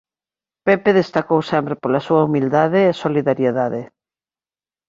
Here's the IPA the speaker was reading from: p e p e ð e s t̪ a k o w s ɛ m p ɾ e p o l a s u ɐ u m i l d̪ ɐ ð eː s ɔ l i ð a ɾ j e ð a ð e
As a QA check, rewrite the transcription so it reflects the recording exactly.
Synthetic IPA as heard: p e p e ð e s t̪ a k o w s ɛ m p ɾ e p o l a s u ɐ u m i l d̪ a ð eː s o l i ð a ɾ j e ð a ð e